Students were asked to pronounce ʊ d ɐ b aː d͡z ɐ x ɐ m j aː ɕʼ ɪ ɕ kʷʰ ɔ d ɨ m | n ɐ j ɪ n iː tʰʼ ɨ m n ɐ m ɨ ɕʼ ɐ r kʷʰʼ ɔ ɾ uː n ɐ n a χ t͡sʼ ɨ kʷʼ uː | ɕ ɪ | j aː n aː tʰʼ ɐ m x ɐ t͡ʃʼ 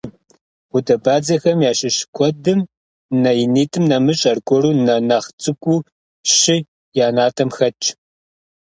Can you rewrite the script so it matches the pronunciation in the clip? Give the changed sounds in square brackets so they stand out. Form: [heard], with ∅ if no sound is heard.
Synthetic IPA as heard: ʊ d ɐ b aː d͡z ɐ x ɐ m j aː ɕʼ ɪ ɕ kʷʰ ɔ d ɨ m | n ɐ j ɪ n iː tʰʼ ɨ m n ɐ m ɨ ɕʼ ɐ r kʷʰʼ ɔ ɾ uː n ɐ n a χ t͡sʼ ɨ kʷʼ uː | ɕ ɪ | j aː n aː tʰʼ ɐ m x ɐ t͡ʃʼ